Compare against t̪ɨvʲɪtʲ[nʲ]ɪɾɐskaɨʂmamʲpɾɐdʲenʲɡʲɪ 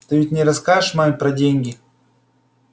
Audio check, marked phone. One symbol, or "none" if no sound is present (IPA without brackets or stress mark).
nʲ